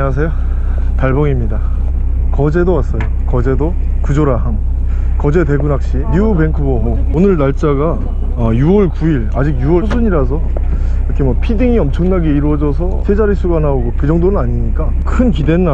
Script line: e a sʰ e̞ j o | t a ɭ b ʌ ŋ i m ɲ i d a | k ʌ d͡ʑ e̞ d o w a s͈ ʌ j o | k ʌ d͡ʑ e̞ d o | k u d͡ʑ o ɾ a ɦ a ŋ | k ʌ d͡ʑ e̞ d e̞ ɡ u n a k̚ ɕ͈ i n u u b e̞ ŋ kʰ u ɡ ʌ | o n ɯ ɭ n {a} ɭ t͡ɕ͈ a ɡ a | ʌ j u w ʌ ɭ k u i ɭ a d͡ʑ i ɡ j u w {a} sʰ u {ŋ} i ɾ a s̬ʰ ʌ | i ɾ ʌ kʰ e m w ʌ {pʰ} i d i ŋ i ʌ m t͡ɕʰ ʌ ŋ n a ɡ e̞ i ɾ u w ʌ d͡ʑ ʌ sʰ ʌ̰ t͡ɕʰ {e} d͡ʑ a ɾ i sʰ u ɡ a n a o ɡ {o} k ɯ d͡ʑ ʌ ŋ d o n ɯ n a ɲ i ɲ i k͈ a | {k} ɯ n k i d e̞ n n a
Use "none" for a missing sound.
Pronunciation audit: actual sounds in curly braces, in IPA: a, ʌ, ɲ, pʰ, e, o, kʰ

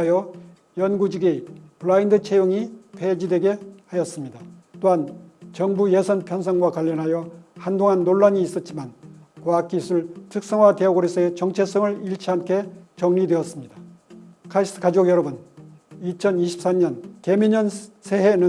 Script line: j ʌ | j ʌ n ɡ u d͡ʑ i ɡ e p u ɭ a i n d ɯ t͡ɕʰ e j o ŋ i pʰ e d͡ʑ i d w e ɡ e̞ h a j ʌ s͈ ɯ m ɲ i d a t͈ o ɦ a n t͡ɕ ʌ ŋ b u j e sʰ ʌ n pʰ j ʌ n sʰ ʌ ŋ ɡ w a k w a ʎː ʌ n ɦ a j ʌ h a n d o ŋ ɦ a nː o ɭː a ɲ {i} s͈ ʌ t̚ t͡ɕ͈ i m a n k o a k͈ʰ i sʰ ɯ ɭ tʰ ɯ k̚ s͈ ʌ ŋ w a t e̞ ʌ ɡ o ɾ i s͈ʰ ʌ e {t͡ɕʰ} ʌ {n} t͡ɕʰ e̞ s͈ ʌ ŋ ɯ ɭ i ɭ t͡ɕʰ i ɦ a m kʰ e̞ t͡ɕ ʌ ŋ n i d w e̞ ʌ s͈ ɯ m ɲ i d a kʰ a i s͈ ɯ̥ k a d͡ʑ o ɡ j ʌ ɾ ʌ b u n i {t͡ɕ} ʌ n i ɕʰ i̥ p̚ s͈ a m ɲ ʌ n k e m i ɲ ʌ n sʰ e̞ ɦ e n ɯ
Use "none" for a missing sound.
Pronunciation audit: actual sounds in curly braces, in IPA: iː, t͡ɕ, ŋ, t͡ɕʰ

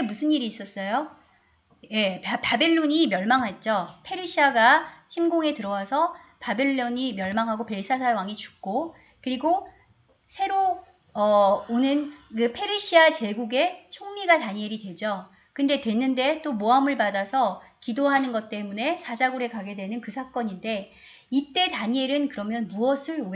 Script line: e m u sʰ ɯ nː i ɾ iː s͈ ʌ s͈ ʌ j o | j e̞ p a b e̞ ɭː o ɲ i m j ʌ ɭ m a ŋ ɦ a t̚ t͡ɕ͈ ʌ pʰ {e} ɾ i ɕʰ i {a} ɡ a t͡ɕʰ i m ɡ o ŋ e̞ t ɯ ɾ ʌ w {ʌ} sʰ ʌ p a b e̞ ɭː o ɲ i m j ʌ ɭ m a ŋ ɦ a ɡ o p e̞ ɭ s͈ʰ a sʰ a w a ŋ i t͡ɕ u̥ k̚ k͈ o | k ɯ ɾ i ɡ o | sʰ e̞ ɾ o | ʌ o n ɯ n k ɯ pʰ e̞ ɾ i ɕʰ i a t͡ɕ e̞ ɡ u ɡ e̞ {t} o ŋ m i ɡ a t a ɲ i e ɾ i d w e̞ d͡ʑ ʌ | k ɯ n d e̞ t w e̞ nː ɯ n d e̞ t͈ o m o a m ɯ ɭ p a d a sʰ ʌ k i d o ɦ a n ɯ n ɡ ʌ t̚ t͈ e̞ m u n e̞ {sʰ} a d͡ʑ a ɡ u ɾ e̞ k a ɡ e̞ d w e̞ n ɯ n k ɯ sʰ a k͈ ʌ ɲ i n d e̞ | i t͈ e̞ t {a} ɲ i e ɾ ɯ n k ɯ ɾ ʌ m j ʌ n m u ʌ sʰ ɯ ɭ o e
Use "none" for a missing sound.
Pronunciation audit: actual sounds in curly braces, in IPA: e, a, a, t͡ɕʰ, sʰ, a

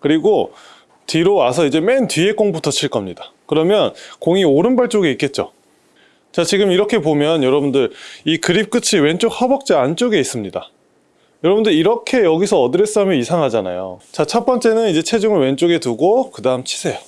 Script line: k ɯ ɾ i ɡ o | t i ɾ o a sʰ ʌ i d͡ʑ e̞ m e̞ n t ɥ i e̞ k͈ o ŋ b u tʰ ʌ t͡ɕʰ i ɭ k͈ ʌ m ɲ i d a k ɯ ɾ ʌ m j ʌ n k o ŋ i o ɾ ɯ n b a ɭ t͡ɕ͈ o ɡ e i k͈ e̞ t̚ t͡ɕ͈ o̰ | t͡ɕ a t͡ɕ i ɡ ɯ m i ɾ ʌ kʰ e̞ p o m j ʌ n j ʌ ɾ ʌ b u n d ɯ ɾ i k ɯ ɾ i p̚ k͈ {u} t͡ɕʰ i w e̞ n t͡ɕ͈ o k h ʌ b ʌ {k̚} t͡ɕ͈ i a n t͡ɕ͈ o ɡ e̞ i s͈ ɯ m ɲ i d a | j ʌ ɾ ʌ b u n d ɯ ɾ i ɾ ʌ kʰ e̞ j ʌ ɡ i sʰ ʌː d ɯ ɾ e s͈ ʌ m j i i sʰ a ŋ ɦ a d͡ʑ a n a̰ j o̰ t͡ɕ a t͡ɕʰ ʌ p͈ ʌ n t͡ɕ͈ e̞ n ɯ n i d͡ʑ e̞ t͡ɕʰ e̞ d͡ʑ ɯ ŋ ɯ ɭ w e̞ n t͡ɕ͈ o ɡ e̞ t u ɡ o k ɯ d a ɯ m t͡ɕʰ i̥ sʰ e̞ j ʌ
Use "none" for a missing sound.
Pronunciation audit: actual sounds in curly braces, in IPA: ɯ, k̚

